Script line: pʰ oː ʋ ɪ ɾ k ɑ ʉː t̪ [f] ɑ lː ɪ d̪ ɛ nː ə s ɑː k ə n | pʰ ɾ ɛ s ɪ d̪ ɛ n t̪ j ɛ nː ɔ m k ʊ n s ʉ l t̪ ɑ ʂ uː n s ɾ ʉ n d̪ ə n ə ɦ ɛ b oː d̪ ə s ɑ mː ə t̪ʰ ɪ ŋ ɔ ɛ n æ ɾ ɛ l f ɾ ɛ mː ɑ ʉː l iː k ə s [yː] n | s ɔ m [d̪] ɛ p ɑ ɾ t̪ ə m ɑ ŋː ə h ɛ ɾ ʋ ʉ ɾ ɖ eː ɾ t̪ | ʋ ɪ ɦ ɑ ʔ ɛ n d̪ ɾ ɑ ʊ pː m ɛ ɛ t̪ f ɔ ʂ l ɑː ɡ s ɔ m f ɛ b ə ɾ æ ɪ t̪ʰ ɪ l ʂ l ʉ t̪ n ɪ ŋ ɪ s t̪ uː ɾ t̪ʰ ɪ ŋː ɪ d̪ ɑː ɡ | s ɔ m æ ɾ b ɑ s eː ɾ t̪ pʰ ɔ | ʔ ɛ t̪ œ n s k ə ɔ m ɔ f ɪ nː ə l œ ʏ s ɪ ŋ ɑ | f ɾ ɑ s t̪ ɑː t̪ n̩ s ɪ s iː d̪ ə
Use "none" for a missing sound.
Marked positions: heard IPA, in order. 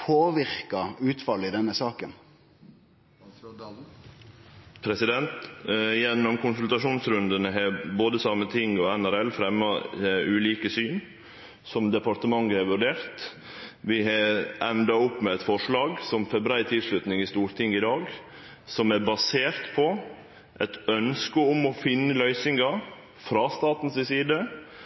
f, yː, d̪

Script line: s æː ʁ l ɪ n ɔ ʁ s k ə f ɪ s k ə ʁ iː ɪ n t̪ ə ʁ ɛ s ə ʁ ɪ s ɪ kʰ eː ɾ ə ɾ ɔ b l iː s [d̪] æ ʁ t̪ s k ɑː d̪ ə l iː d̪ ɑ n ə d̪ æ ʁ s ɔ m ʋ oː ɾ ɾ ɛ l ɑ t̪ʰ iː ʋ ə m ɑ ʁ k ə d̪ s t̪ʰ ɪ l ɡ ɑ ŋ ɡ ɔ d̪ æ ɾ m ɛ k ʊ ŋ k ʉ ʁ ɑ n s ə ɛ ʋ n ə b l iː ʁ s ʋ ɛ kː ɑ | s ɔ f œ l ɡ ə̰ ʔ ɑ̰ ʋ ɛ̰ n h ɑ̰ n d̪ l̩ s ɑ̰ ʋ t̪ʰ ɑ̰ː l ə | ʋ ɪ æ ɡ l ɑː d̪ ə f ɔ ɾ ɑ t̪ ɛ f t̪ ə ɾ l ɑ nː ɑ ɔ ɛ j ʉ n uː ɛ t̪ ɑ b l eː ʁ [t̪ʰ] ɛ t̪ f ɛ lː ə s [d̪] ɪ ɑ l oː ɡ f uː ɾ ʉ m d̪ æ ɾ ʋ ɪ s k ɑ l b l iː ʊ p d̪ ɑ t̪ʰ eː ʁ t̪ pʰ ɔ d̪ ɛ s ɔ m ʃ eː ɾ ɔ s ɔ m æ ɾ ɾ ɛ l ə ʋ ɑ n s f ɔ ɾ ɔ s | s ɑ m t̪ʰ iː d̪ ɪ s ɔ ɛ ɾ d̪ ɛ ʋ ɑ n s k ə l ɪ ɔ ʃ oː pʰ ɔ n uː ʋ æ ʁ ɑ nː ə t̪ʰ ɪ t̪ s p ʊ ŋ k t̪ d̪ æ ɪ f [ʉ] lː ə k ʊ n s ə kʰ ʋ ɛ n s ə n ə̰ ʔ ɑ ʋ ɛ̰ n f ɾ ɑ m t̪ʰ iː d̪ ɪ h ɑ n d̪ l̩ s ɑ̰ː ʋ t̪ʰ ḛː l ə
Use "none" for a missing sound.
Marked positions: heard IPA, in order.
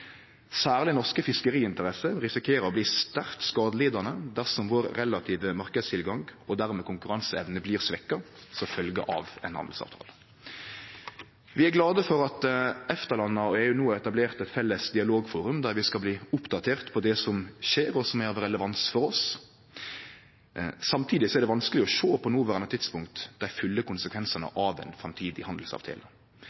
t̪, t̪, d̪, ʉ

